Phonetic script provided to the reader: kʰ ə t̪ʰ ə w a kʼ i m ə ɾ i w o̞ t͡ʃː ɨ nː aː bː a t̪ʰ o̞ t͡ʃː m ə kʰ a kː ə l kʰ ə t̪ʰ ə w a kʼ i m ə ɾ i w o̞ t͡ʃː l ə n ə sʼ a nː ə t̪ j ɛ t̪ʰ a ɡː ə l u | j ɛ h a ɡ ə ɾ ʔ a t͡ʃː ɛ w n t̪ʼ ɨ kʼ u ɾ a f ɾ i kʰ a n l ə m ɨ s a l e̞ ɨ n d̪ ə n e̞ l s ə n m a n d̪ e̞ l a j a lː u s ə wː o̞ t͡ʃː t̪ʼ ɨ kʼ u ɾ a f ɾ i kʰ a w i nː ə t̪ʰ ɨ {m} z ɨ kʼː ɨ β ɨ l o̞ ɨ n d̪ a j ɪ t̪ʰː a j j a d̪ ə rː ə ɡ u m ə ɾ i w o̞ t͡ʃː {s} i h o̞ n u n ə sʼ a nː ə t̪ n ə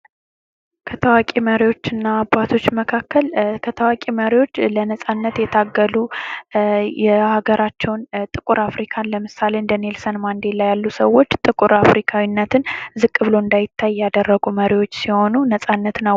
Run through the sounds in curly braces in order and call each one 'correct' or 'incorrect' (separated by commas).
incorrect, correct